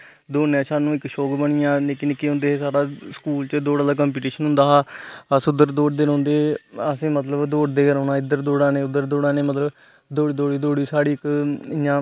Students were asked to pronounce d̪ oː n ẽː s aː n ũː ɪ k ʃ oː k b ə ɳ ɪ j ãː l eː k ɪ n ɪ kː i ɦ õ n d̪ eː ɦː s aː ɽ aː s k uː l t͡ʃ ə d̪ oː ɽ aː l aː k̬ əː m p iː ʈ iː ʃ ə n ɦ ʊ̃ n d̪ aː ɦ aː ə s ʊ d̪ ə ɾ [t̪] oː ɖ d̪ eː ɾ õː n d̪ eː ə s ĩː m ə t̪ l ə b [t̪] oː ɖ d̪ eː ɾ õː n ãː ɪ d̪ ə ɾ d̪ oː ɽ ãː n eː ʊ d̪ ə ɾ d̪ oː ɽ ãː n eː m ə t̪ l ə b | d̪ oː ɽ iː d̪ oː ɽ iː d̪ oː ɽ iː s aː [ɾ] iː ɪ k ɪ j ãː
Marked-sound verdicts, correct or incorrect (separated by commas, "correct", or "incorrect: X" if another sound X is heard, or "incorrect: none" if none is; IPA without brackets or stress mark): incorrect: d̪, incorrect: d̪, incorrect: ɽ